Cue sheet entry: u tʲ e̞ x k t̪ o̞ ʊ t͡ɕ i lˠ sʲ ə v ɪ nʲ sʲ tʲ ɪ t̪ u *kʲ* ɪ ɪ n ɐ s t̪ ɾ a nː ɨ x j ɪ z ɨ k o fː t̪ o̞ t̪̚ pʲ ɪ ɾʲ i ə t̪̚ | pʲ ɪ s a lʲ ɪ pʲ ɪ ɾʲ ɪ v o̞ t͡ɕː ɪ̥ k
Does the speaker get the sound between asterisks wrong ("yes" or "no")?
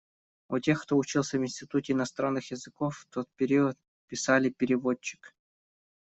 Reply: yes